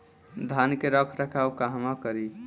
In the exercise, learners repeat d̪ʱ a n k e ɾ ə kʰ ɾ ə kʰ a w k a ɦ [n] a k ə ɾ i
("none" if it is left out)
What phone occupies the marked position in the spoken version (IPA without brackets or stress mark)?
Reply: m